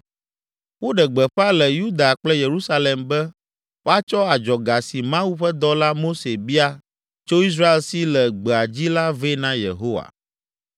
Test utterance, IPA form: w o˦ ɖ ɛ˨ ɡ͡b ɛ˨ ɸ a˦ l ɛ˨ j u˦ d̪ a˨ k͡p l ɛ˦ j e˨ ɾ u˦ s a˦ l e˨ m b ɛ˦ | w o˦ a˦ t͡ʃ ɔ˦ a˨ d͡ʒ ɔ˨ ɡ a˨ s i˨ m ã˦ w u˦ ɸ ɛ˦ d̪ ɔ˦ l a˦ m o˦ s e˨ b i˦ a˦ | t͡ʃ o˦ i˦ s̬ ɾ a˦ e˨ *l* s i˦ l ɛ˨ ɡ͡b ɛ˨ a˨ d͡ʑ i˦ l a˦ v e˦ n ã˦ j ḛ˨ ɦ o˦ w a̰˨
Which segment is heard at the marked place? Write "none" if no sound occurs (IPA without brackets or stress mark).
l